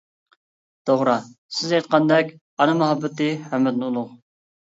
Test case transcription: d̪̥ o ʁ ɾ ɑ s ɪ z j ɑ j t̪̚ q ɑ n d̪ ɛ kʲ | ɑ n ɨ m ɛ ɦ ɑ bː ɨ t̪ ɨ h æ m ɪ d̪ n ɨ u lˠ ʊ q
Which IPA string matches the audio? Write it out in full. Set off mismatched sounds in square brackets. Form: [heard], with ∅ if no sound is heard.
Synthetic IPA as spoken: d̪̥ o ʁ ɾ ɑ s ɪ z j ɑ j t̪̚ q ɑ n d̪ ɛ kʲ | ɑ n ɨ m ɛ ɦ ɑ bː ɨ t̪ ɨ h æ m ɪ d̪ n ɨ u lˠ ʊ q